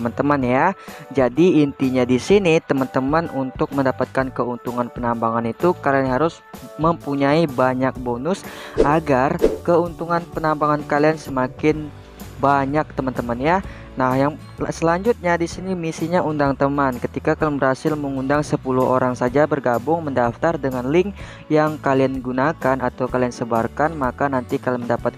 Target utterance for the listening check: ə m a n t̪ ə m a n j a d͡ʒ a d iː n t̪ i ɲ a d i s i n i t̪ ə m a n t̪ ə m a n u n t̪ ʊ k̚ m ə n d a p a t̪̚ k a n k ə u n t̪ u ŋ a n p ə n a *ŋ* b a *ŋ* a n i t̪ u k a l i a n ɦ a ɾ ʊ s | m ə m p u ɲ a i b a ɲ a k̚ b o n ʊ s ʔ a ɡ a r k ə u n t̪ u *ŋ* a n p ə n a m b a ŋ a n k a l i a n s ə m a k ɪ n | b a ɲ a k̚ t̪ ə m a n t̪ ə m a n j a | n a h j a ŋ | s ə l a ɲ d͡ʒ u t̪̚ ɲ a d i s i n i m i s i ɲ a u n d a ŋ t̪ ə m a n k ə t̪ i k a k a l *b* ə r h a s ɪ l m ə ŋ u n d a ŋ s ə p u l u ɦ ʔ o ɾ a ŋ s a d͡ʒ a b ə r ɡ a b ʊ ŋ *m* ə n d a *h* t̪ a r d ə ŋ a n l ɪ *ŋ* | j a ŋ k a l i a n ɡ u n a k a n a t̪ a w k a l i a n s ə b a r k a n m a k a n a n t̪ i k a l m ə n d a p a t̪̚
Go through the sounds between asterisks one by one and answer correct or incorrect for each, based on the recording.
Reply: incorrect: m, correct, correct, correct, correct, incorrect: f, correct

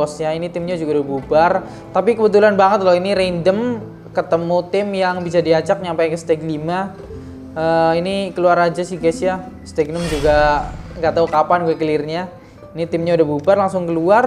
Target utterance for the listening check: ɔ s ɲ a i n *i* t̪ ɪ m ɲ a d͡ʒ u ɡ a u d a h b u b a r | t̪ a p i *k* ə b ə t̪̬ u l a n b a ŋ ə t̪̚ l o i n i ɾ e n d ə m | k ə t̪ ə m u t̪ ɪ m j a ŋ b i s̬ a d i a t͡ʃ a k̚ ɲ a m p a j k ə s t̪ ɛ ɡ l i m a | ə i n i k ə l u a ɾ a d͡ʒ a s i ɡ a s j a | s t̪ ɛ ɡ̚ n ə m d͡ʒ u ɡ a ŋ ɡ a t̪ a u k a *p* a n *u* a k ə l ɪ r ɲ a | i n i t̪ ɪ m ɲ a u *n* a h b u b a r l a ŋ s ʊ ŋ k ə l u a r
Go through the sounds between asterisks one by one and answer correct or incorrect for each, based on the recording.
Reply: correct, correct, correct, correct, incorrect: d

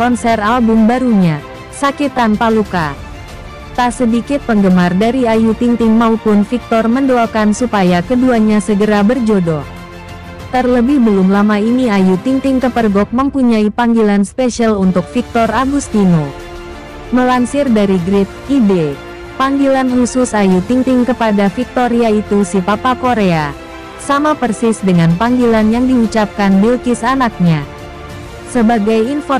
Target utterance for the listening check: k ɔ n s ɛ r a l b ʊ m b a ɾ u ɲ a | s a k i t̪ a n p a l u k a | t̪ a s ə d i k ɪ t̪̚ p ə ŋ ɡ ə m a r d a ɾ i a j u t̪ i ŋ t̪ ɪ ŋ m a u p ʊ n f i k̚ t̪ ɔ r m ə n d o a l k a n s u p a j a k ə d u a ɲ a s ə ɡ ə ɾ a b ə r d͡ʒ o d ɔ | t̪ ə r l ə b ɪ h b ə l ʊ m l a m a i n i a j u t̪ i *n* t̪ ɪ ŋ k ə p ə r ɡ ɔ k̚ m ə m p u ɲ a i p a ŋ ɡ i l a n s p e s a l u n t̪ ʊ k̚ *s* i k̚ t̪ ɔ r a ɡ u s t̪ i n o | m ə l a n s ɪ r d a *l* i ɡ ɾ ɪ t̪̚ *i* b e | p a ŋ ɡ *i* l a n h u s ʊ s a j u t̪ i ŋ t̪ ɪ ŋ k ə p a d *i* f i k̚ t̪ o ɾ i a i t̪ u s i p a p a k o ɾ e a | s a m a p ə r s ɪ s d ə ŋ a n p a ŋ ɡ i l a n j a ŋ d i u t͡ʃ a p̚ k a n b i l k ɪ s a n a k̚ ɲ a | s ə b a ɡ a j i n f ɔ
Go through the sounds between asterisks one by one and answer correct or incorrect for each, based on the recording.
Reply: incorrect: ŋ, incorrect: f, incorrect: ɾ, correct, correct, incorrect: a

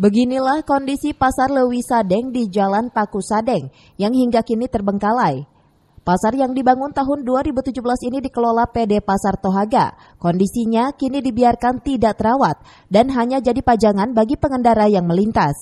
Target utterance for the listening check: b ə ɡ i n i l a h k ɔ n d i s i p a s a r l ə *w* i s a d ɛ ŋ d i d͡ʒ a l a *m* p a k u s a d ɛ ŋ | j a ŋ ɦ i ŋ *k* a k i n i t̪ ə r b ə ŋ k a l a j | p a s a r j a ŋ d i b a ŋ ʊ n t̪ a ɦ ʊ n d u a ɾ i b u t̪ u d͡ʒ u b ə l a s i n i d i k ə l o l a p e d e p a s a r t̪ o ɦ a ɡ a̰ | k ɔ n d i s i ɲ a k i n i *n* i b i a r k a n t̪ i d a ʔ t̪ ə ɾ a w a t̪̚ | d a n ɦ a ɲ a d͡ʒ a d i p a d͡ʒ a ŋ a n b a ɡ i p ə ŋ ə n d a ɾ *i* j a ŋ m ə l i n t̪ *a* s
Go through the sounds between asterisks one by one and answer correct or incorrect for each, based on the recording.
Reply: correct, incorrect: n, incorrect: ɡ, incorrect: d, incorrect: a, correct

